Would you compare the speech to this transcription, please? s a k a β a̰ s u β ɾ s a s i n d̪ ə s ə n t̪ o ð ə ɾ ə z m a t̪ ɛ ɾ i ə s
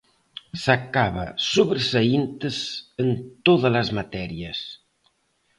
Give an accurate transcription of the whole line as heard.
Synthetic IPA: s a k a β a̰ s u β ɾ s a i n t̪ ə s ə n t̪ o ð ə l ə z m a t̪ ɛ ɾ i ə s